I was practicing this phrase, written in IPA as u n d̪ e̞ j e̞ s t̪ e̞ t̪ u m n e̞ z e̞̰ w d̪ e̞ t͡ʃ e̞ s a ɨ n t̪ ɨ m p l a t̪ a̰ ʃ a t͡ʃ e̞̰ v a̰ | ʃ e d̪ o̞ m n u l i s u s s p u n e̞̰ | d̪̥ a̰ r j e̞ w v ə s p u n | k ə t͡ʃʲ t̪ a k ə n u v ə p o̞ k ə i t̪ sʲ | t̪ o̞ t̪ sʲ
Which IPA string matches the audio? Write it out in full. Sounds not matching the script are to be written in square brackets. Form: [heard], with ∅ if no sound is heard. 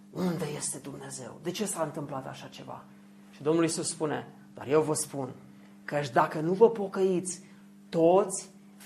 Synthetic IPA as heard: u n d̪ e̞ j e̞ s t̪ e̞ [d̪] u m n e̞ z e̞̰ w d̪ e̞ t͡ʃ e̞ s a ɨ n t̪ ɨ m p l a t̪ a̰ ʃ a t͡ʃ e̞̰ v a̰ | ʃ [i] d̪ o̞ m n u l i s u s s p u n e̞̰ | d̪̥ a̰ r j e̞ w v ə s p u n | k ə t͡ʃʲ [d̪] a k ə n u v ə p o̞ k ə i t̪ sʲ | t̪ o̞ t̪ sʲ